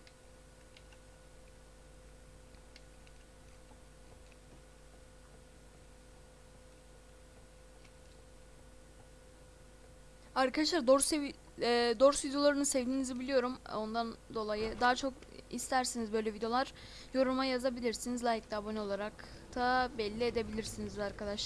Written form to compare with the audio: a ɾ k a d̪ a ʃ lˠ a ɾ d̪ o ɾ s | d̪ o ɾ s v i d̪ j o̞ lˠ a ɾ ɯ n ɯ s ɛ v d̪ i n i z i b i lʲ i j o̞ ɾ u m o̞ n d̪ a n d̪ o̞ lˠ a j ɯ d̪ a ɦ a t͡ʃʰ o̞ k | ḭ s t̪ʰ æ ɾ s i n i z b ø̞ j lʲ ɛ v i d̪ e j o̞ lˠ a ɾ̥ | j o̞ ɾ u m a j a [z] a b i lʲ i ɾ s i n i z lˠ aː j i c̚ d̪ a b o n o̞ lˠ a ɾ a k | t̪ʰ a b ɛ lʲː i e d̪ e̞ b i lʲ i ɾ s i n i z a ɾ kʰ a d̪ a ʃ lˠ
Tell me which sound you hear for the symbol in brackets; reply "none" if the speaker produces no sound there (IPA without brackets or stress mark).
z